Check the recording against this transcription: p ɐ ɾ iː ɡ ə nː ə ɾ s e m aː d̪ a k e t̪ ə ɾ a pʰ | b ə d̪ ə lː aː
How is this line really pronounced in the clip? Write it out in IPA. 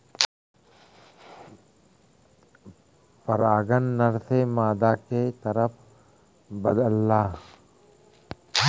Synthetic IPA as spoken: p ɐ ɾ aː ɡ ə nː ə ɾ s e m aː d̪ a k e t̪ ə ɾ ə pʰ | b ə d̪ ə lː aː